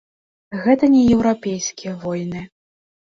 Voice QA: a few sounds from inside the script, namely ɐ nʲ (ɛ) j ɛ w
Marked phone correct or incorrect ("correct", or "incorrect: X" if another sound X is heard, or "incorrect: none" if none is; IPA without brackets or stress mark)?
correct